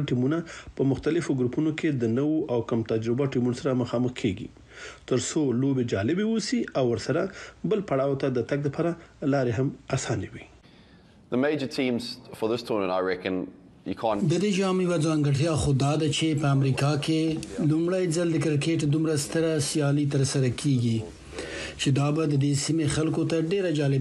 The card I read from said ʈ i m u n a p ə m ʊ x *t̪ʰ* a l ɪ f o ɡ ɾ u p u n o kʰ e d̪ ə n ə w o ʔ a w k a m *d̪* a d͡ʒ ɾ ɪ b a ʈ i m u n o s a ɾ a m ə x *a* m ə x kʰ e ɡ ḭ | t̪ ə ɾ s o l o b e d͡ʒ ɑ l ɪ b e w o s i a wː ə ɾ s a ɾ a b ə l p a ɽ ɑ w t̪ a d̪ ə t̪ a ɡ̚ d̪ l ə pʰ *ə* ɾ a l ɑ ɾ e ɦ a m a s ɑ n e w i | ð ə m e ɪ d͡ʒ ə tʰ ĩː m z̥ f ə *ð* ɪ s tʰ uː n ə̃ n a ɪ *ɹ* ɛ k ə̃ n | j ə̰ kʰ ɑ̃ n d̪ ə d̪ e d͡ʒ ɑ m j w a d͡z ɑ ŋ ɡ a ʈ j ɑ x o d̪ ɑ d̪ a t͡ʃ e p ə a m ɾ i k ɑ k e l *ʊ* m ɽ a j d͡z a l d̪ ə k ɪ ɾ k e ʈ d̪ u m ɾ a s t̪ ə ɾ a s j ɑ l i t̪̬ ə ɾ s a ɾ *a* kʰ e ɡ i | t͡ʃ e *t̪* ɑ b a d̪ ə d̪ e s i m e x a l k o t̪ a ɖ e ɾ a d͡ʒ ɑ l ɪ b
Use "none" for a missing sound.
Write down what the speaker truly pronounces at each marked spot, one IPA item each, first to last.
t̪, t̪, ɑ, ɑ, ð, ɹ, u, a, d̪

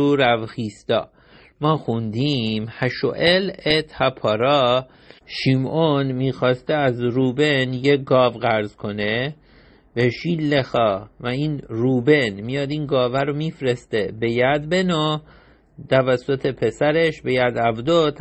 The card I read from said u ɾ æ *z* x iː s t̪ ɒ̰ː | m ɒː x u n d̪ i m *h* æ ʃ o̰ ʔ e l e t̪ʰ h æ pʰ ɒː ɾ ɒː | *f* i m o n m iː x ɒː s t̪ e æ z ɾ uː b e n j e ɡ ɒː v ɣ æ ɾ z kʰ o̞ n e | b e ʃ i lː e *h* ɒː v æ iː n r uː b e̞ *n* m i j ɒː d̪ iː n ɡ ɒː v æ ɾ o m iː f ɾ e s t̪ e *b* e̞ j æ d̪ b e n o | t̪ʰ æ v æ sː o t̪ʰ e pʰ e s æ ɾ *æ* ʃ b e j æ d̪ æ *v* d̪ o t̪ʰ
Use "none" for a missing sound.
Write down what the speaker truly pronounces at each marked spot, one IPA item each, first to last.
v, h, ʃ, x, n, b, e, v

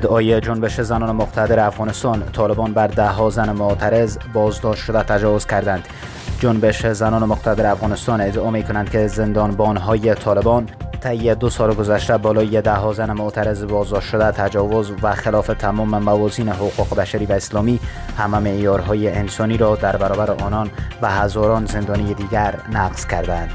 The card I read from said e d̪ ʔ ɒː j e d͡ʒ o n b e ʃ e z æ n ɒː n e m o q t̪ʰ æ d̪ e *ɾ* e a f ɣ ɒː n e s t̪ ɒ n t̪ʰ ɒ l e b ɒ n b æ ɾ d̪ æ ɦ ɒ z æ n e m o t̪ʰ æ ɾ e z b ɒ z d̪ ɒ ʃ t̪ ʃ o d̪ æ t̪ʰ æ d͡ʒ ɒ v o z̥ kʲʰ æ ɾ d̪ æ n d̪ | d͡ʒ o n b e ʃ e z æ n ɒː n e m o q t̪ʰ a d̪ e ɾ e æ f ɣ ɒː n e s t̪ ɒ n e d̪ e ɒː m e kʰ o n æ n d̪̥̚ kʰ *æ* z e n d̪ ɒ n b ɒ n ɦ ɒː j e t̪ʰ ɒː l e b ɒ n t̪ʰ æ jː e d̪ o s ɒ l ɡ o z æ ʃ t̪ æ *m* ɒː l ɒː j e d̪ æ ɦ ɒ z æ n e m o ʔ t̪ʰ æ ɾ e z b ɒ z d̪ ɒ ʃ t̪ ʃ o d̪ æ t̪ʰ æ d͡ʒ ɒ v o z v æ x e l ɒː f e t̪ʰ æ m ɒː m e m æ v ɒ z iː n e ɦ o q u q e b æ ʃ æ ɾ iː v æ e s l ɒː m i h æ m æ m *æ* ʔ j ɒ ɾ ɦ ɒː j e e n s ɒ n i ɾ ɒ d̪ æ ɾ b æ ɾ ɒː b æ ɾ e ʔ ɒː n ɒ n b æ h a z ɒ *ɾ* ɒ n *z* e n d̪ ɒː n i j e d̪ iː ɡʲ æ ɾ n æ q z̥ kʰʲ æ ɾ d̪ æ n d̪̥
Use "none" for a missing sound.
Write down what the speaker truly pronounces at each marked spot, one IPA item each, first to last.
ɾ, e, b, e, ɾ, z

